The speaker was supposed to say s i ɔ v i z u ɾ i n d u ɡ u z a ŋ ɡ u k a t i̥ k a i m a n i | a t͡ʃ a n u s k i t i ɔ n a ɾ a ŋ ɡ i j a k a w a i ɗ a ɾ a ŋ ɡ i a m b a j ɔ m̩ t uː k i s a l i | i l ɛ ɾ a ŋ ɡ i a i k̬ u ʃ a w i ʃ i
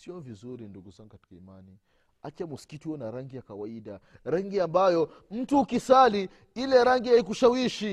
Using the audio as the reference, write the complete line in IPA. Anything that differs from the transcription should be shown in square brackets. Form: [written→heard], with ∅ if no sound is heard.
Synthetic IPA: s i ɔ v i z u ɾ i n d u ɡ u z a ŋ ɡ u k a t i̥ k a i m a n i | a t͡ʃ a [n→m] u s k i t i ɔ n a ɾ a ŋ ɡ i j a k a w a i ɗ a ɾ a ŋ ɡ i a m b a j ɔ m̩ t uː k i s a l i | i l ɛ ɾ a ŋ ɡ i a i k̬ u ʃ a w i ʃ i